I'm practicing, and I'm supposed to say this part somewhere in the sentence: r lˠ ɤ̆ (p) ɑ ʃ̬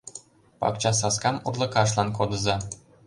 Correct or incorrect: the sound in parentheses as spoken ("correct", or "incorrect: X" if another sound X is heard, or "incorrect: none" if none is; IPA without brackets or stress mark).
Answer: incorrect: k